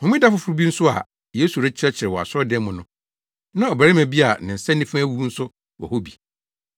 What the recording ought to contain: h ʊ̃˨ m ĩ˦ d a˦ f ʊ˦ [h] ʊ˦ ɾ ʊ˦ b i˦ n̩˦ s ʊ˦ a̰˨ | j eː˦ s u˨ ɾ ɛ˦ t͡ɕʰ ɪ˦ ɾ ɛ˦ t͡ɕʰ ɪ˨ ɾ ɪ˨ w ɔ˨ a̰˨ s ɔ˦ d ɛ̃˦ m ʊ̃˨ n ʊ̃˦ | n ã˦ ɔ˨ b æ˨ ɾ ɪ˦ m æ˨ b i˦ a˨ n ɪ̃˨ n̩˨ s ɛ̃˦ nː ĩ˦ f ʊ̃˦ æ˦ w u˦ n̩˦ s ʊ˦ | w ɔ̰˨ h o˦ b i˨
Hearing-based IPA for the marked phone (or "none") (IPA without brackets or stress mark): f